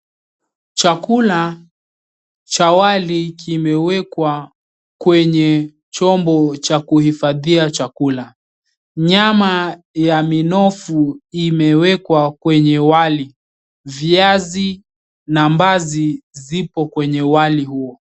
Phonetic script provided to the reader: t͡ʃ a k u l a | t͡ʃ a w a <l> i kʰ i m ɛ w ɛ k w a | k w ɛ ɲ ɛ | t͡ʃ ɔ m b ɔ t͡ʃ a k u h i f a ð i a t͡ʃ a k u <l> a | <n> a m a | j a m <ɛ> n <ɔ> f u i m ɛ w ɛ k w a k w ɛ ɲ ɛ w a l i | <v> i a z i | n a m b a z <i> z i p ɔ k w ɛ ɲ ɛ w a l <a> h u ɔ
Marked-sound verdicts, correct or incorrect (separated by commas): correct, correct, incorrect, incorrect, correct, correct, correct, incorrect